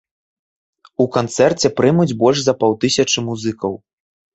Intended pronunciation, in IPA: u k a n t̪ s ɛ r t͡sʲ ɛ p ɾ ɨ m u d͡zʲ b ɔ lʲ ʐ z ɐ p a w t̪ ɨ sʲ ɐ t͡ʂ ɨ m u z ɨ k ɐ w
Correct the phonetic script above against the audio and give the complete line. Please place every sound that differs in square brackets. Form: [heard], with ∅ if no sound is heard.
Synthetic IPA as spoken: u k a n t̪ s ɛ r t͡sʲ ɛ p ɾ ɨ m u d͡zʲ b ɔ lʲ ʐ z ɐ p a w t̪ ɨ sʲ ɐ t͡ʂ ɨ m u z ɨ k ɐ w